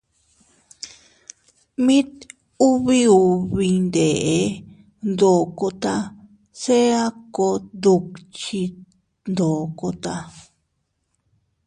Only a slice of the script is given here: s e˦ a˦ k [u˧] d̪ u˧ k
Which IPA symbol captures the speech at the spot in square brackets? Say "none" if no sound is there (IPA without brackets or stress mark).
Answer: o˧